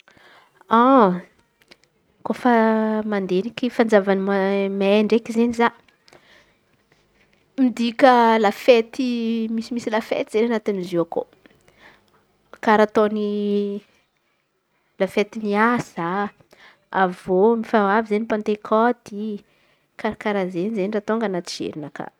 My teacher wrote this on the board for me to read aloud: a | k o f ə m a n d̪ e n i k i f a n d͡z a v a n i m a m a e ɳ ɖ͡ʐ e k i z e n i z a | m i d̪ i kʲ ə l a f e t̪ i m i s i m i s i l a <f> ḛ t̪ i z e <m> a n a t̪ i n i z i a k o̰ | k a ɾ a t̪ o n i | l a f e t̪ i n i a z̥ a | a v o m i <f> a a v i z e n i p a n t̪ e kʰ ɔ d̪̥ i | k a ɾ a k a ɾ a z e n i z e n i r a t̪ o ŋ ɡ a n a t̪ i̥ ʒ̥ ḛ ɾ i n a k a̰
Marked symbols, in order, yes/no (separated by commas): yes, no, yes